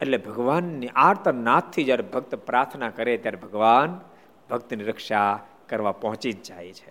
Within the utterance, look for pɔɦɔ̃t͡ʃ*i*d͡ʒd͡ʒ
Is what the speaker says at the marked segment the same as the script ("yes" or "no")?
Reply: yes